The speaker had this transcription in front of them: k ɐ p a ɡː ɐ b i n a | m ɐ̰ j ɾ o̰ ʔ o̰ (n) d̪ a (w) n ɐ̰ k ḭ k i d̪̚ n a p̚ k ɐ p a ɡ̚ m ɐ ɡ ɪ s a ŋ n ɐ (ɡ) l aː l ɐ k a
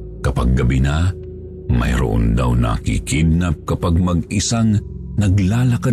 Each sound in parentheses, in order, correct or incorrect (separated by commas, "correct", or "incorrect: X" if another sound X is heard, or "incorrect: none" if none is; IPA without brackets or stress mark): correct, correct, correct